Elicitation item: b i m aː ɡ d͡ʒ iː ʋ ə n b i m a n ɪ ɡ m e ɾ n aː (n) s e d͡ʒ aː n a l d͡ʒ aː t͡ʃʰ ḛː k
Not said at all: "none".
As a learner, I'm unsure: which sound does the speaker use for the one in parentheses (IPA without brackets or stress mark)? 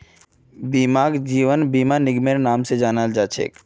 m